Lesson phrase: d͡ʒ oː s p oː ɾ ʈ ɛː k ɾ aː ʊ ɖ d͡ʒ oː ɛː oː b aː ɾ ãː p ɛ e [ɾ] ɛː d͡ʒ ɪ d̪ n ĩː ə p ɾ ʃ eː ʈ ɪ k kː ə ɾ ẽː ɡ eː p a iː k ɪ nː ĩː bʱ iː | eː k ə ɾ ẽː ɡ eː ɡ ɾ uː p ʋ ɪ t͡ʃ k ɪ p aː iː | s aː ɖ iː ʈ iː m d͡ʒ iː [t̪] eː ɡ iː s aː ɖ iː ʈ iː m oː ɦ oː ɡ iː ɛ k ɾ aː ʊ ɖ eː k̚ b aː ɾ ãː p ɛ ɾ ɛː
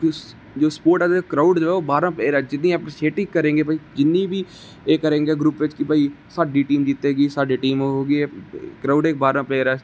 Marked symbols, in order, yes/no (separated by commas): yes, yes